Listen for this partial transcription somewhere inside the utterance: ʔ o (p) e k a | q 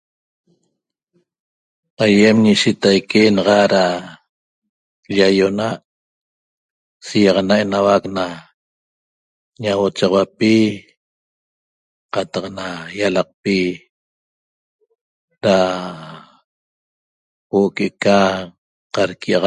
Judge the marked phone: incorrect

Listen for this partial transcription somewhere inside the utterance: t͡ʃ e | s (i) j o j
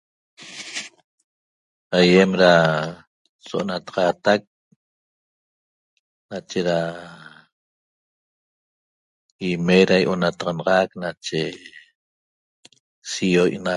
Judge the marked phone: correct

